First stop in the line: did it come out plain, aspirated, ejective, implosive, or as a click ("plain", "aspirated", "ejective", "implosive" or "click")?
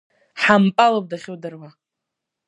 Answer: ejective